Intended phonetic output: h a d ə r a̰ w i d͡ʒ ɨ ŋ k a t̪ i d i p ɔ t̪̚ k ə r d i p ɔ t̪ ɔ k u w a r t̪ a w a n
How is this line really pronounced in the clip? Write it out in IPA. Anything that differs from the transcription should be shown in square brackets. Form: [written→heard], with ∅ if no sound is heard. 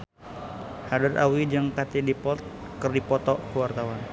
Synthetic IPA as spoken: h a d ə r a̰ w i d͡ʒ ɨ ŋ k a t̪ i d i p ɔ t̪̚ k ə r d i p ɔ t̪ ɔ k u w a r t̪ a w a n